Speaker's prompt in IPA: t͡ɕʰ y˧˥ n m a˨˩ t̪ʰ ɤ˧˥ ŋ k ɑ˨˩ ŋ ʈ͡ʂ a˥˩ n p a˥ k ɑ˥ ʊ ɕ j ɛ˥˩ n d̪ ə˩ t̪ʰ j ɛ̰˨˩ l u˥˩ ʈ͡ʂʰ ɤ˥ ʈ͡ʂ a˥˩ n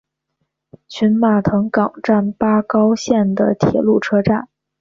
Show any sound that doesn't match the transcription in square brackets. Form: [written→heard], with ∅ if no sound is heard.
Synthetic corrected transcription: t͡ɕʰ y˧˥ n m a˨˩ t̪ʰ ɤ˧˥ ŋ k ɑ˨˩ ŋ ʈ͡ʂ a˥˩ n p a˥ k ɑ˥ ʊ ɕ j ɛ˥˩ n d̪ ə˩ t̪ʰ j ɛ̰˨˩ l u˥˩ ʈ͡ʂʰ ɤ˥ ʈ͡ʂ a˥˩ n